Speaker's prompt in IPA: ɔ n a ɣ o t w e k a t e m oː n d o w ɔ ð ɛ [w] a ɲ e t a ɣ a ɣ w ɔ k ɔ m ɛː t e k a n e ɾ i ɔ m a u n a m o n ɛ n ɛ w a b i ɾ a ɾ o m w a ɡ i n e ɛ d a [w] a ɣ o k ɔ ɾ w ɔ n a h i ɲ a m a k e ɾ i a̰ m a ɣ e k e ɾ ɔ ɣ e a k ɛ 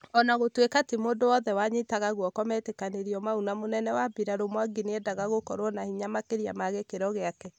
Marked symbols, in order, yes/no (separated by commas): yes, no